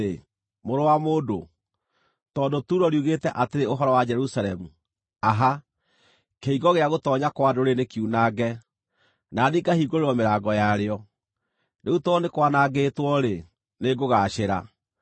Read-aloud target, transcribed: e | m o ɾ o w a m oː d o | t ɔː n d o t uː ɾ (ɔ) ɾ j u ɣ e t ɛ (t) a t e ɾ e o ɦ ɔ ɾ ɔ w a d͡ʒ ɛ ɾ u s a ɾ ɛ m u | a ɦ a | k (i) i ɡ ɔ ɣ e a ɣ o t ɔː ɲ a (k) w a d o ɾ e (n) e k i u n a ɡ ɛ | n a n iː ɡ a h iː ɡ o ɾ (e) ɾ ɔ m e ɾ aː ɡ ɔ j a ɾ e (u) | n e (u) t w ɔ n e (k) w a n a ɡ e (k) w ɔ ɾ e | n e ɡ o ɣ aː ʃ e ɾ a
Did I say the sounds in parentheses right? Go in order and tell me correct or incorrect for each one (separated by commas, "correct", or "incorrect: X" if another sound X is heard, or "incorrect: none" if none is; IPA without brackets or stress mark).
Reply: correct, incorrect: ʔ, incorrect: e, correct, correct, correct, incorrect: ɔ, correct, correct, incorrect: t